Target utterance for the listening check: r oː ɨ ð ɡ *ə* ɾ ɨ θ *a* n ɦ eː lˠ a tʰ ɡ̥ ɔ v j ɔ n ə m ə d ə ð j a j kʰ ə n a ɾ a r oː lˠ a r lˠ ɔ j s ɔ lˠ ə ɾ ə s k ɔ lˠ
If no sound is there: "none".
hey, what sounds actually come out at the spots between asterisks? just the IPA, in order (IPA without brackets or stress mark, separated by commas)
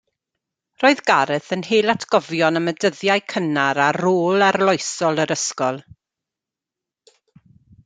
a, ə